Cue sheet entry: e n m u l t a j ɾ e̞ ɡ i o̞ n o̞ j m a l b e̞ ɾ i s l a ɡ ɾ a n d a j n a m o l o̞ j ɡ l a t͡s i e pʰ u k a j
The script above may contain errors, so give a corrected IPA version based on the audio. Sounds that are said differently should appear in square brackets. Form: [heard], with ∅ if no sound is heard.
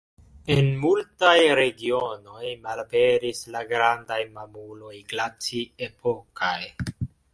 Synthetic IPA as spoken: e n m u l t a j ɾ e̞ ɡ i o̞ n o̞ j m a l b e̞ ɾ i s l a ɡ ɾ a n d a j [m] a m [u] l o̞ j ɡ l a t͡s i e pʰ [o] k a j